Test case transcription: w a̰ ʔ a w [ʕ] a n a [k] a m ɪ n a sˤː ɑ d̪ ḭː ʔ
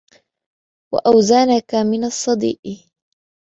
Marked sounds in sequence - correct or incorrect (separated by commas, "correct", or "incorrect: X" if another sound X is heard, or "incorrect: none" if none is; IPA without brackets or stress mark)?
incorrect: z, correct